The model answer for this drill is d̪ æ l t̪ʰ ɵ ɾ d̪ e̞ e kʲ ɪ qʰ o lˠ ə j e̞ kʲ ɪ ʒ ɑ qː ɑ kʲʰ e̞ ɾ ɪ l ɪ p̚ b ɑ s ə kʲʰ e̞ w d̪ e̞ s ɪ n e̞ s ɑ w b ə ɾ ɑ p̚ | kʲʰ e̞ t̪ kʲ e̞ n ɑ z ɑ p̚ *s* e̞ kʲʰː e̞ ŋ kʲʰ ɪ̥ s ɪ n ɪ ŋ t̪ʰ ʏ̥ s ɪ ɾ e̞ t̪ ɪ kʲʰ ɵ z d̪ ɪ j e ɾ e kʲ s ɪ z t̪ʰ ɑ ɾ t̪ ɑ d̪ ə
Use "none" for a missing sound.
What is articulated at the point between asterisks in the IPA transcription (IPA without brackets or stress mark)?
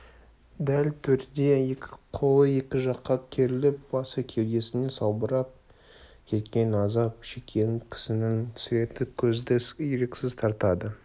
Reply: ʃ